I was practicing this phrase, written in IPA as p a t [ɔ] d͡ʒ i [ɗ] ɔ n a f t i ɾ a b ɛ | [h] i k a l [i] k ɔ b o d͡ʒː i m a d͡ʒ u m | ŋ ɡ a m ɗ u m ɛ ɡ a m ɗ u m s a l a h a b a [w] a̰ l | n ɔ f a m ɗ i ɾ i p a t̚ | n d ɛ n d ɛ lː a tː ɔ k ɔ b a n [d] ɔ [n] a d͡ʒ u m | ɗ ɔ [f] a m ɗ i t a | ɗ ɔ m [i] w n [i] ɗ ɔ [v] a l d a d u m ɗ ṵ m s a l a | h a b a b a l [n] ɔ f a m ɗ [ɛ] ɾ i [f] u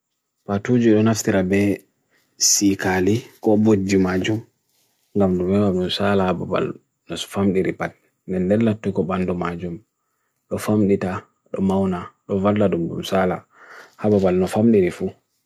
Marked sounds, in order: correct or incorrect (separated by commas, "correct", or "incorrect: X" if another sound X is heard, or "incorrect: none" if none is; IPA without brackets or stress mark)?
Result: incorrect: u, correct, incorrect: s, correct, incorrect: b, correct, incorrect: m, correct, incorrect: a, incorrect: a, correct, correct, incorrect: i, correct